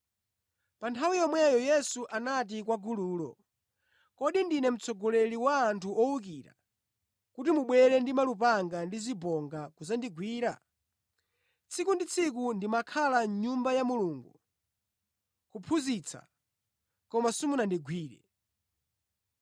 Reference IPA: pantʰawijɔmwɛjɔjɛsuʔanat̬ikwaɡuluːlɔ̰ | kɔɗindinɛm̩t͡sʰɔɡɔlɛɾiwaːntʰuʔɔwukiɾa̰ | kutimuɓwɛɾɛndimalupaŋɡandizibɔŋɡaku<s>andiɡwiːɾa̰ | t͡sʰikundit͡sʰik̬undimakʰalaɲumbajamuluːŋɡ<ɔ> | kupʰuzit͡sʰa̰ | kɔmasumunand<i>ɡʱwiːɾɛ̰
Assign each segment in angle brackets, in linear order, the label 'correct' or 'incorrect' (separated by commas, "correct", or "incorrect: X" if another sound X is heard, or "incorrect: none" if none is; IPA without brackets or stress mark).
incorrect: z, incorrect: u, correct